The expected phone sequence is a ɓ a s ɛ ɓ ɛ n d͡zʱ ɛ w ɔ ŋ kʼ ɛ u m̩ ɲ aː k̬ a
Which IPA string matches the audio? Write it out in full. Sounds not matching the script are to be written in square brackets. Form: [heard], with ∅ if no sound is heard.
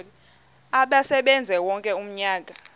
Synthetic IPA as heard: a ɓ a s ɛ ɓ ɛ n d͡zʱ ɛ w ɔ ŋ kʼ ɛ u m̩ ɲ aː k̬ a